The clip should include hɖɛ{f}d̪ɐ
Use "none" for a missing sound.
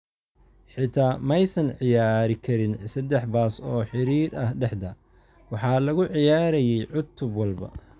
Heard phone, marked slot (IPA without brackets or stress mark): ħ